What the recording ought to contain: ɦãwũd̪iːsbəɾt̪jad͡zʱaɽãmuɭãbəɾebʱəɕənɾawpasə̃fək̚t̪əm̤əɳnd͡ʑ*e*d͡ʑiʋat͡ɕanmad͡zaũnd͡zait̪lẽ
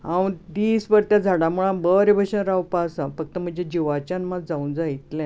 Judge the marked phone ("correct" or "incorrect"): correct